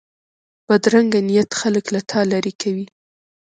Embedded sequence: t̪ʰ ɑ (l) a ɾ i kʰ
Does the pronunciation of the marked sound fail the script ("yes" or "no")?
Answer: no